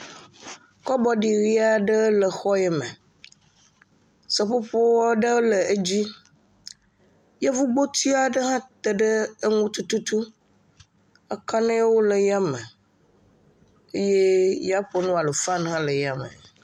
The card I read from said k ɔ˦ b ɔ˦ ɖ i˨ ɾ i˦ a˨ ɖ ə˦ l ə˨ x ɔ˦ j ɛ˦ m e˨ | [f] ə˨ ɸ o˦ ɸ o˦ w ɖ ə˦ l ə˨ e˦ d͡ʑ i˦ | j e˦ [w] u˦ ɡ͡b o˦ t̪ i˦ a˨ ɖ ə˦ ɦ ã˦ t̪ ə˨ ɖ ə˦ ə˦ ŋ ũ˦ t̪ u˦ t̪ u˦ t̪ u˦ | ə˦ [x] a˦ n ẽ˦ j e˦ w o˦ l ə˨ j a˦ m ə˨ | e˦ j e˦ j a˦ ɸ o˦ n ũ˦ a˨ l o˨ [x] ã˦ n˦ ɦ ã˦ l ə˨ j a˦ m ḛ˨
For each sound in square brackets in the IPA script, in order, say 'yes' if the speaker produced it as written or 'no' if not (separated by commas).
no, no, no, no